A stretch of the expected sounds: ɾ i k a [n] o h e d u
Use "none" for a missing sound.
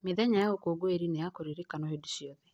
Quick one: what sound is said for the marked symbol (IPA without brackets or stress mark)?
n